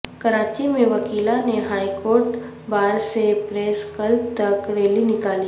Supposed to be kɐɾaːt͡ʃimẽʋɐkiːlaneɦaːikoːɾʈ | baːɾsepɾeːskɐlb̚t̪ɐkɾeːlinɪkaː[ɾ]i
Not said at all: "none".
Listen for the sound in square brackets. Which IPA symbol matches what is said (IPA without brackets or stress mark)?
l